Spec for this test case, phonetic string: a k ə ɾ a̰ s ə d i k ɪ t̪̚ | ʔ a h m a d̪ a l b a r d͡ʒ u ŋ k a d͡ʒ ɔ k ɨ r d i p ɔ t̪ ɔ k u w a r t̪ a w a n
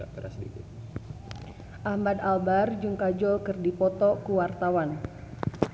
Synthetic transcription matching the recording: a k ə ɾ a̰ s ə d i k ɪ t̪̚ | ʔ a h m a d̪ a l b a r d͡ʒ u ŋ k a d͡ʒ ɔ k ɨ r d i p ɔ t̪ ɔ k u w a r t̪ a w a n